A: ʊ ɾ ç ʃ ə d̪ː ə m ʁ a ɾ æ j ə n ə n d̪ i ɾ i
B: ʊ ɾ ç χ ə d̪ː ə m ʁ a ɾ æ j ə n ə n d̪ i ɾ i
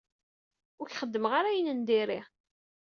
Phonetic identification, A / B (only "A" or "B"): B